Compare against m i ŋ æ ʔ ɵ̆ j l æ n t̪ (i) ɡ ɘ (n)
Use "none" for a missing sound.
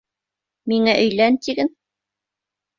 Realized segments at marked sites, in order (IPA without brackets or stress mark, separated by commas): i, n